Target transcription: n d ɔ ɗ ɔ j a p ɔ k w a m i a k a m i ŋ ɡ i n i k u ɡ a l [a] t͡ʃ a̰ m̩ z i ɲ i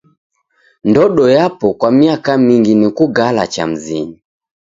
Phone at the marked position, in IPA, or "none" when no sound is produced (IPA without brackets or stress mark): a